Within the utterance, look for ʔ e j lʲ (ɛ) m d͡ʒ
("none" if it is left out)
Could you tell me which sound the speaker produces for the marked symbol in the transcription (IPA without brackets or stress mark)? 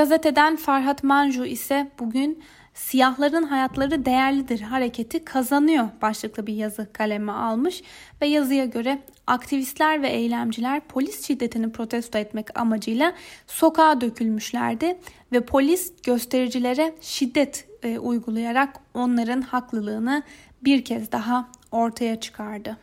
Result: æ